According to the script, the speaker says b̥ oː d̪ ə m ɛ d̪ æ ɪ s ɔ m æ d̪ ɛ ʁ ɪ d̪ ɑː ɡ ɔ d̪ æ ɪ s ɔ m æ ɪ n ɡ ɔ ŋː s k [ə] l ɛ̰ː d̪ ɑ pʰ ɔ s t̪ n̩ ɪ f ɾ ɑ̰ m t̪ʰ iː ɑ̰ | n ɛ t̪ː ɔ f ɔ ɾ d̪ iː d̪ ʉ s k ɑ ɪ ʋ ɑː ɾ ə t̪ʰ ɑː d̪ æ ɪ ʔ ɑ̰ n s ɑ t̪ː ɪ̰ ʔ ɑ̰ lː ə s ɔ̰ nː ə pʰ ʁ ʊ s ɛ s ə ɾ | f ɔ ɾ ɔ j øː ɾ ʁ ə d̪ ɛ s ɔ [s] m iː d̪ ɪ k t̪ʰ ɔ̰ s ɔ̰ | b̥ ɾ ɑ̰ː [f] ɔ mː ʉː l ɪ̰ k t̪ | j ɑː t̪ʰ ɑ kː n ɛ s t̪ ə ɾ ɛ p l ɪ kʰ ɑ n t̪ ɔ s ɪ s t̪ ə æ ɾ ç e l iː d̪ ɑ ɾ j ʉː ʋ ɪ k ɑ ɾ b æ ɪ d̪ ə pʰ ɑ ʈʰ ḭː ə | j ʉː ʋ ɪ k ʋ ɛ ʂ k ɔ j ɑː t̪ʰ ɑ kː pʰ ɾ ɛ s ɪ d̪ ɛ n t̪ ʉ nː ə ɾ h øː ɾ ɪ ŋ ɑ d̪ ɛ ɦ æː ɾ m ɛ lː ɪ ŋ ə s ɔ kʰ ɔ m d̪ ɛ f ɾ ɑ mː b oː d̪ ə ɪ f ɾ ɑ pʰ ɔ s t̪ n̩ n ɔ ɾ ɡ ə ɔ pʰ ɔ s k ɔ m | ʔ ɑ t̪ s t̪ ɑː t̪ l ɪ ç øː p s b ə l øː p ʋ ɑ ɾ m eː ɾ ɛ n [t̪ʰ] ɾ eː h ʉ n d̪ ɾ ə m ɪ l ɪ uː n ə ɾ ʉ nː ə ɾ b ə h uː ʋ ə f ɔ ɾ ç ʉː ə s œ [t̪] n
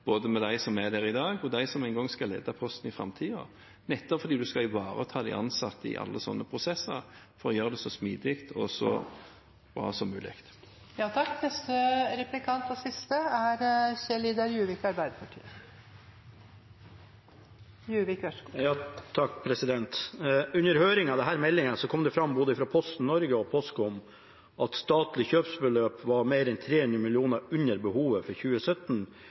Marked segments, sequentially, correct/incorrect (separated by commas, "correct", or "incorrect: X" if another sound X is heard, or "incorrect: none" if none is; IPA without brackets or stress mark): incorrect: ɑ, correct, incorrect: s, correct, correct